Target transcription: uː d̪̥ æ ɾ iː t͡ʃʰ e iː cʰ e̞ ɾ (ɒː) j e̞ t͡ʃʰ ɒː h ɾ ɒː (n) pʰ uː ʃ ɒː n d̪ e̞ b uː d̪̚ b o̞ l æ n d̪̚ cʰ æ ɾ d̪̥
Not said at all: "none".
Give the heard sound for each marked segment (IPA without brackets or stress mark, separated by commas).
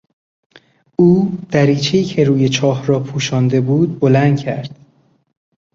uː, none